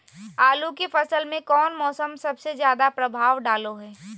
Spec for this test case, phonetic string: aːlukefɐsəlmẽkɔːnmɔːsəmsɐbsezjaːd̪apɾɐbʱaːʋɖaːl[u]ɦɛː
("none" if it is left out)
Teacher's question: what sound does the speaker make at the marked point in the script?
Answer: o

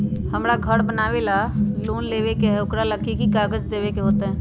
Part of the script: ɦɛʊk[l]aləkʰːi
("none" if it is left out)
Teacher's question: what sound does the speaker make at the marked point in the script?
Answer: ɾ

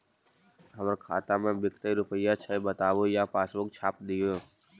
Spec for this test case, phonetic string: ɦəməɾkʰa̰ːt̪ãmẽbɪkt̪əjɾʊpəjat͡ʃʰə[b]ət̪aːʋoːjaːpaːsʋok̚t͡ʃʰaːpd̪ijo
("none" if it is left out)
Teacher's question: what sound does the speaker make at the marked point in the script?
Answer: b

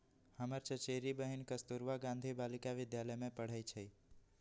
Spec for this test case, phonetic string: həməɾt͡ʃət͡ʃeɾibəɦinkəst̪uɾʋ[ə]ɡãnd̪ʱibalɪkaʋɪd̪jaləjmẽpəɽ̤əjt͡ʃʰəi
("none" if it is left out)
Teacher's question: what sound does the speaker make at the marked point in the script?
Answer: a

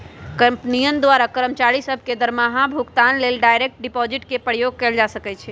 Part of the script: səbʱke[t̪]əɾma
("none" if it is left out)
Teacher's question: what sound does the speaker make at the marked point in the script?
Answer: d̪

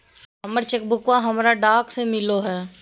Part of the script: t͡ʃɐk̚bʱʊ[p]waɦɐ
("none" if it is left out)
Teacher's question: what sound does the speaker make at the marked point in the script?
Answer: k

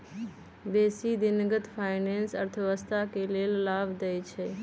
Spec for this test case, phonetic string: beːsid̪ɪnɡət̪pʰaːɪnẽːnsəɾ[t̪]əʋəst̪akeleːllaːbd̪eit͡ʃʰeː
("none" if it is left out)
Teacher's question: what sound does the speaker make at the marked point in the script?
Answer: t̪ʰ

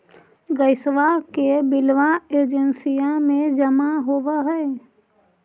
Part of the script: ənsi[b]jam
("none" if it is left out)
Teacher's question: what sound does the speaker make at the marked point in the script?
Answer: none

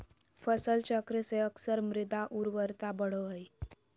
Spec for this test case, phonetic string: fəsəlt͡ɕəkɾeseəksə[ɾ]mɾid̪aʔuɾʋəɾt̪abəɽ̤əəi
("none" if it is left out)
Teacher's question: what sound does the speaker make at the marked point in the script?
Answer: ɾ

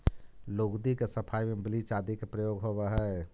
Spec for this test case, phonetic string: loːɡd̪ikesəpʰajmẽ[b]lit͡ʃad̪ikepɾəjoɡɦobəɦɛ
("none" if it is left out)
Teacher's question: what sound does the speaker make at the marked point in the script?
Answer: b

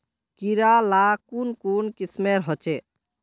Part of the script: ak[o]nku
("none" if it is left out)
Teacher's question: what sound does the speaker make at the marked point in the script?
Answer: u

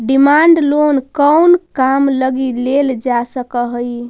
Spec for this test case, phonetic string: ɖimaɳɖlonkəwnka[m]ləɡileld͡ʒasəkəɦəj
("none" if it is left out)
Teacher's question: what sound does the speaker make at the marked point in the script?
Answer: m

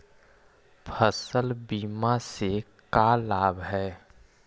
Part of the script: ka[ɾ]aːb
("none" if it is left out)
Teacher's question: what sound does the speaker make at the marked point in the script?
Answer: l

